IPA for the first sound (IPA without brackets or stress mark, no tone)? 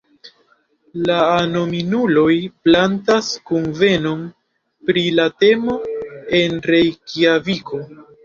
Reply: l